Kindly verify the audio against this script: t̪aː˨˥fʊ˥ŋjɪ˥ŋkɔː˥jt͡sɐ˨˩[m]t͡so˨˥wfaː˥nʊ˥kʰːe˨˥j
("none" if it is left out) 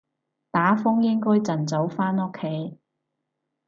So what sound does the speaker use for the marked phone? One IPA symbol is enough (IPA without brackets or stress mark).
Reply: n